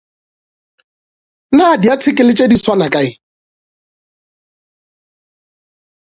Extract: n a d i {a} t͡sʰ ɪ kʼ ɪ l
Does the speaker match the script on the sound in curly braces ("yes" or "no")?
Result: yes